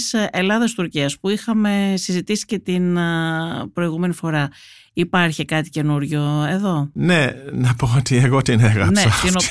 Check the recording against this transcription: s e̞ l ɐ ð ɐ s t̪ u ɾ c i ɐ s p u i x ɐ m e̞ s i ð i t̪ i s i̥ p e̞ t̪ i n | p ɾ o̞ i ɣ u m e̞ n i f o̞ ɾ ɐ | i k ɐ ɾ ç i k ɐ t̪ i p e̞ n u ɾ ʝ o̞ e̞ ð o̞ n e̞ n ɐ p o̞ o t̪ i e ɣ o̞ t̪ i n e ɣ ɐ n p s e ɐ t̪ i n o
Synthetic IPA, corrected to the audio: s e̞ l ɐ ð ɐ s t̪ u ɾ c i ɐ s p u i x ɐ m e̞ s i z i t̪ i s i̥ c e̞ t̪ i n | p ɾ o̞ i ɣ u m e̞ n i f o̞ ɾ ɐ | i p ɐ ɾ ç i k ɐ t̪ i c e̞ n u ɾ ʝ o̞ e̞ ð o̞ n e̞ n ɐ p o̞ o t̪ i e ɣ o̞ t̪ i n e ɣ ɐ n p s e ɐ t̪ i n o